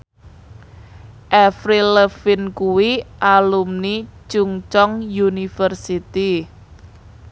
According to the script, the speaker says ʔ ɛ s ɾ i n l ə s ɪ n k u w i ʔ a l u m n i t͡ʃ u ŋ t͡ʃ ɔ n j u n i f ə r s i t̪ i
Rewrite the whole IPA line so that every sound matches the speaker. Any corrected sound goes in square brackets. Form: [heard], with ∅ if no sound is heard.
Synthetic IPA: ʔ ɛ [f] ɾ i [∅] l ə [f] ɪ n k u w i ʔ a l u m n i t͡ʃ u ŋ t͡ʃ ɔ [ŋ] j u n i f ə r s i t̪ i